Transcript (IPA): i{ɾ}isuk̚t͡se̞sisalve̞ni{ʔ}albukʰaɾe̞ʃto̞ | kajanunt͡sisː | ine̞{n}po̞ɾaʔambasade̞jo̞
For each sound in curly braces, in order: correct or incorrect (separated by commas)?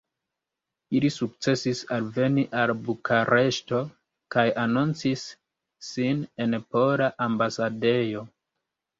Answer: incorrect, correct, correct